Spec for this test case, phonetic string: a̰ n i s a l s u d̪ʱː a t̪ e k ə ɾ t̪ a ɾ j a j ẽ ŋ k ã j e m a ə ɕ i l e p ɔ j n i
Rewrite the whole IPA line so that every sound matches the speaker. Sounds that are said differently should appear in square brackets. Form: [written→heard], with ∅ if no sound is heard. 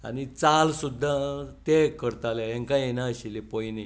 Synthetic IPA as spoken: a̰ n i [s→t͡s] a l s u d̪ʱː a t̪ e k ə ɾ t̪ a [ɾ→l] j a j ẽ ŋ k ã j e [m→n] a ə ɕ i l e p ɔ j n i